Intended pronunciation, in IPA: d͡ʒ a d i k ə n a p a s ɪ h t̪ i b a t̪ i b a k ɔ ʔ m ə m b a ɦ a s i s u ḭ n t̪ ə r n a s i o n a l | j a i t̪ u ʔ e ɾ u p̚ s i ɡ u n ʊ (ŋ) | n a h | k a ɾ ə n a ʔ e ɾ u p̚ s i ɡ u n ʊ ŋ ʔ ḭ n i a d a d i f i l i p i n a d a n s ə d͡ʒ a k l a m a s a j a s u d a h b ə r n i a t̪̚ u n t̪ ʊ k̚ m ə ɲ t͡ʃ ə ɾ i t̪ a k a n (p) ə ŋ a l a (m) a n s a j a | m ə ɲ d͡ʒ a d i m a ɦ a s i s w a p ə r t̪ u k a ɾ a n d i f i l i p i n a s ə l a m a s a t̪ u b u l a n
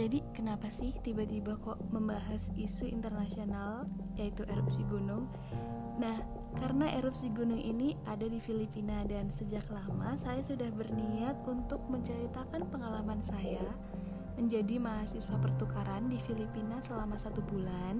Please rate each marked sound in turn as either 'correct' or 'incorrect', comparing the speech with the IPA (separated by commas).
correct, correct, correct